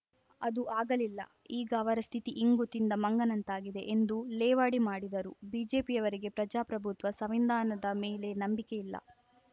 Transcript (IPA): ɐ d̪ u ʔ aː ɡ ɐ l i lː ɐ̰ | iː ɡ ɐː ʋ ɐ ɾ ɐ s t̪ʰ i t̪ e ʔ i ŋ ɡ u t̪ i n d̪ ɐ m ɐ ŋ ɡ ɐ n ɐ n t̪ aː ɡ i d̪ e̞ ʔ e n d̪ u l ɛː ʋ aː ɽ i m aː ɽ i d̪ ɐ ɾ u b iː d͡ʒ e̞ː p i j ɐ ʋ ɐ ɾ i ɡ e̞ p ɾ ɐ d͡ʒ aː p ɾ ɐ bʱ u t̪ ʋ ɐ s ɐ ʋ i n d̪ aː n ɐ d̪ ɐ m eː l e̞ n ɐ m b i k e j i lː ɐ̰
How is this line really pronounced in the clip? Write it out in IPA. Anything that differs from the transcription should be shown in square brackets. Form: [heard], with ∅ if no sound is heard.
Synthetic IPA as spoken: ɐ d̪ u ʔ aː ɡ ɐ l i lː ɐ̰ | iː ɡ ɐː ʋ ɐ ɾ ɐ s t̪ʰ i t̪ [i] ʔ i ŋ ɡ u t̪ i n d̪ ɐ m ɐ ŋ ɡ ɐ n ɐ n t̪ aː ɡ i d̪ e̞ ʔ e n d̪ u l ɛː ʋ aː ɽ i m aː ɽ i d̪ ɐ ɾ u b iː d͡ʒ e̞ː p i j ɐ ʋ ɐ ɾ i ɡ e̞ p ɾ ɐ d͡ʒ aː p ɾ ɐ bʱ u t̪ ʋ ɐ s ɐ ʋ i n d̪ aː n ɐ d̪ ɐ m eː l e̞ n ɐ m b i k e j i lː ɐ̰